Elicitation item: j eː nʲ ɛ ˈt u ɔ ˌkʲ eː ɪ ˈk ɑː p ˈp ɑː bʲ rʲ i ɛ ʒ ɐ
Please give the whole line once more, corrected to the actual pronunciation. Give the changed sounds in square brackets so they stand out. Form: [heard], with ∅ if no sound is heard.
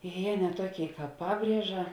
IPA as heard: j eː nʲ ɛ ˈt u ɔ ˌkʲ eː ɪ ˈk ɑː p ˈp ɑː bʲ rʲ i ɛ ʒ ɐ